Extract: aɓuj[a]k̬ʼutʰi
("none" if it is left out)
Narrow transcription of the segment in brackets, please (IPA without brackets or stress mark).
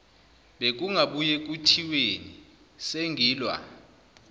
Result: e